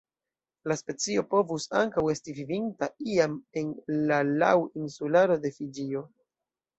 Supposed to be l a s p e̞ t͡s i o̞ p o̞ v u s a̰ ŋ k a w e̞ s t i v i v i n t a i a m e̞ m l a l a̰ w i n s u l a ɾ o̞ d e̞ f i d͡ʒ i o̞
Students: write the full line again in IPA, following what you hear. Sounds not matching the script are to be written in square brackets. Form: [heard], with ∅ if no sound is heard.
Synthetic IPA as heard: l a s p e̞ t͡s i o̞ p o̞ v u s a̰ ŋ k a w e̞ s t i v i v i n t a i a m e̞ [n] l a l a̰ w i n s u l a ɾ o̞ d e̞ f i d͡ʒ i o̞